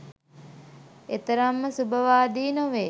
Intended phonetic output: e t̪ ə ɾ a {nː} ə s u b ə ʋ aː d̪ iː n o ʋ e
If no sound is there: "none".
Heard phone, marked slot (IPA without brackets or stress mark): mː